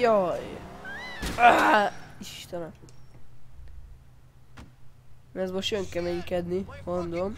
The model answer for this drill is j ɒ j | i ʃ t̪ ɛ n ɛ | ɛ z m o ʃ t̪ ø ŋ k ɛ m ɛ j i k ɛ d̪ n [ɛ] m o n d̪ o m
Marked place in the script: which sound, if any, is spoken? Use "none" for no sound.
i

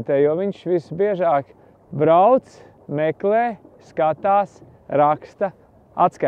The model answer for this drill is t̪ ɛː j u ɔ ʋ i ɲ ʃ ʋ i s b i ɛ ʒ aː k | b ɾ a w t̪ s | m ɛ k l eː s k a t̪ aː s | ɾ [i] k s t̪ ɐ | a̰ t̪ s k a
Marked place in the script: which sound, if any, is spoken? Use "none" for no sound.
a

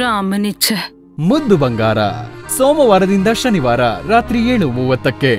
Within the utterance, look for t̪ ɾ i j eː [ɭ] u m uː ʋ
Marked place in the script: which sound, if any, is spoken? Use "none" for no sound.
ɭ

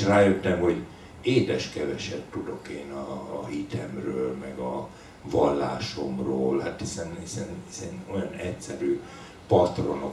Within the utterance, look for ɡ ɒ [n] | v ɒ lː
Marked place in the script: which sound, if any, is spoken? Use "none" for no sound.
none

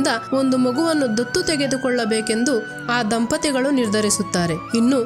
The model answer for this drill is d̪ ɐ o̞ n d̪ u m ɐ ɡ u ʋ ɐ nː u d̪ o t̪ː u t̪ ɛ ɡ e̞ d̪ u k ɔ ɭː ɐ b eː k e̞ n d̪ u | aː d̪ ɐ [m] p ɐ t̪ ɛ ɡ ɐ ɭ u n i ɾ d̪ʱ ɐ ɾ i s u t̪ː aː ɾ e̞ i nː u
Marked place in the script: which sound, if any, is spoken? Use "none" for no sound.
m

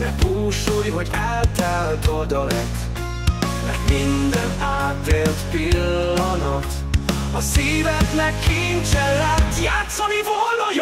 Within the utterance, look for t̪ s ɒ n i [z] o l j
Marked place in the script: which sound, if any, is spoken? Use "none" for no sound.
v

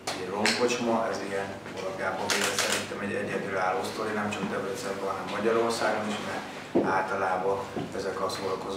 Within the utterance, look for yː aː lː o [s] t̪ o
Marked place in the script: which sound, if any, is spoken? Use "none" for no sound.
s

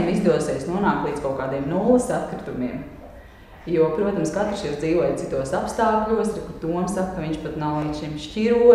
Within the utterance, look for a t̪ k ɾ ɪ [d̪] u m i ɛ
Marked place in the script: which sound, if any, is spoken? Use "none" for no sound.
t̪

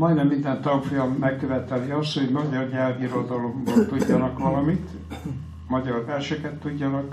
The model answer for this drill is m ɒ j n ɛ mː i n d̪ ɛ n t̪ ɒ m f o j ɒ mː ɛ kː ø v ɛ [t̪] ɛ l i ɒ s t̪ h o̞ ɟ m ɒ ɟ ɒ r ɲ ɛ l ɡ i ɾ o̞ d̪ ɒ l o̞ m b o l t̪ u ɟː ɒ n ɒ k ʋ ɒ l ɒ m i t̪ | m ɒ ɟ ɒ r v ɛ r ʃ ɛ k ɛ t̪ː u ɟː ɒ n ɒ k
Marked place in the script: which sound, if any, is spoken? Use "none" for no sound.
t̪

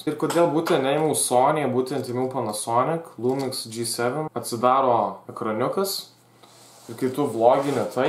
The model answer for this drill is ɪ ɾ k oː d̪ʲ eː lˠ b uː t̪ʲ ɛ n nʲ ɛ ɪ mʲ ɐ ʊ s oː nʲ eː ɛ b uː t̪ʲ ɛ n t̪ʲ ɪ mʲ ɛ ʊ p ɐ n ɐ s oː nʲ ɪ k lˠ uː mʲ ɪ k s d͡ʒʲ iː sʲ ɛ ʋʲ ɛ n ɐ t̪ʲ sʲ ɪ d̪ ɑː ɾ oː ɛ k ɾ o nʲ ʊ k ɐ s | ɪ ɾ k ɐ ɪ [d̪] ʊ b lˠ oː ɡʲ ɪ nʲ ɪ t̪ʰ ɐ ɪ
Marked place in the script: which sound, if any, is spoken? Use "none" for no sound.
t̪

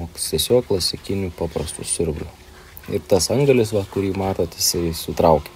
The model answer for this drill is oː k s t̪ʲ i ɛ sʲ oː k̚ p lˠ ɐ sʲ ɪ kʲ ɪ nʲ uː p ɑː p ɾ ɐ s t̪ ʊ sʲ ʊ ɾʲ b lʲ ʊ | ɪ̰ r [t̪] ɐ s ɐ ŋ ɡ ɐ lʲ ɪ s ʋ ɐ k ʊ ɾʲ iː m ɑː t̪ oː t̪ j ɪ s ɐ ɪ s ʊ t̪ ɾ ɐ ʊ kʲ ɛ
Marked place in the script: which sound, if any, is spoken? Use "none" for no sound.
t̪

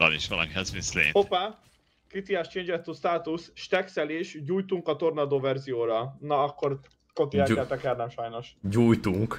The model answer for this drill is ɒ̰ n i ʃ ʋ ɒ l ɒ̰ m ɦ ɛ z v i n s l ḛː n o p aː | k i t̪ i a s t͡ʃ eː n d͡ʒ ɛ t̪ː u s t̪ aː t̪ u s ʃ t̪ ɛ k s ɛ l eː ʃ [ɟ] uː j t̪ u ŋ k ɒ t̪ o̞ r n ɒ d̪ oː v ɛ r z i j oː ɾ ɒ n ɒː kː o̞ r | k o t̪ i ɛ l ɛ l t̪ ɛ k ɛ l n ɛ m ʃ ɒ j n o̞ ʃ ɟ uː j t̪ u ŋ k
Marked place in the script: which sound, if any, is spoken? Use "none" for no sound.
ɟ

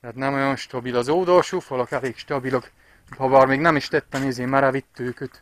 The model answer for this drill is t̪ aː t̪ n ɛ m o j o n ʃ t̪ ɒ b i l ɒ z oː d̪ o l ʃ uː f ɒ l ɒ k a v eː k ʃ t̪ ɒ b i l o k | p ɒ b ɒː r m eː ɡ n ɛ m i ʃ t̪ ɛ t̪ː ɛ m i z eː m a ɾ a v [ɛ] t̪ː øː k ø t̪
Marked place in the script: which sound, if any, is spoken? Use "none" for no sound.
i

